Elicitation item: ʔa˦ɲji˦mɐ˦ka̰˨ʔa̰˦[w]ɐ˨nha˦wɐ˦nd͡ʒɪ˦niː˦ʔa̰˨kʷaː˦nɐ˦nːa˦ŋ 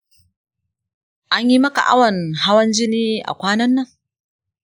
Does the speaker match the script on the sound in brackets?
yes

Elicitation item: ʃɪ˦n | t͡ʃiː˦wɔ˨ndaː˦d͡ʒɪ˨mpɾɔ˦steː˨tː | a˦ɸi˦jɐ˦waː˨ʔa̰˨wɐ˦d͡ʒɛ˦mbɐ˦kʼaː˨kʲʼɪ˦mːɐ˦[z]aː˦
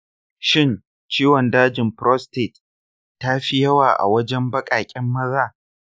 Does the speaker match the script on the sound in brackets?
yes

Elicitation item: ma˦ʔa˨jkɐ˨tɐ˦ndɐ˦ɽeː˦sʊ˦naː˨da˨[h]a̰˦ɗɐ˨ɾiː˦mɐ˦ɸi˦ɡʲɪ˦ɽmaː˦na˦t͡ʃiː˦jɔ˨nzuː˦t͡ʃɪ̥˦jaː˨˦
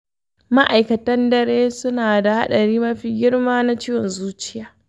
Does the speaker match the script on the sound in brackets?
yes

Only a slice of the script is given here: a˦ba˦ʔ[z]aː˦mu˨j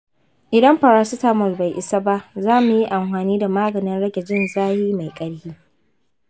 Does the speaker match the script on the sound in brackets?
yes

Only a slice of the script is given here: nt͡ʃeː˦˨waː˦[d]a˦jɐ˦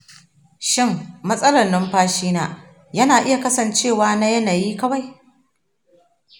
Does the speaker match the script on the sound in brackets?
no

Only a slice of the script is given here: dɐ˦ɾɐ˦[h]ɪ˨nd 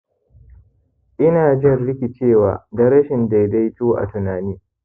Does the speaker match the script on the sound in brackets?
no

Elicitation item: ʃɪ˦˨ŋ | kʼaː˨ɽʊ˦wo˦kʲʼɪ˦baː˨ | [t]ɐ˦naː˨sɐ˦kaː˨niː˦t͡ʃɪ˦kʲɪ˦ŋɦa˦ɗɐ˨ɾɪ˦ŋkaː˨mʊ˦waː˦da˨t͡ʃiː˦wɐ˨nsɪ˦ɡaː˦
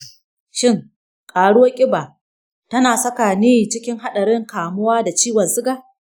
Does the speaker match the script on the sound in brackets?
yes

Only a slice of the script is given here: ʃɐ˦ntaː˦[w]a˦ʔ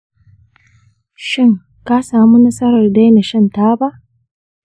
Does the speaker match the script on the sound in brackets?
no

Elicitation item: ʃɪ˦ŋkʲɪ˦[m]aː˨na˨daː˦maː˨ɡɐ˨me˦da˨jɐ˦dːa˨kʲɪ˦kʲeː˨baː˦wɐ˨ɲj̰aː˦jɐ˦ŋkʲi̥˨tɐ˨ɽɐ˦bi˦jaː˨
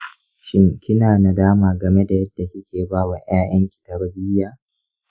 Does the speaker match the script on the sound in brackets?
no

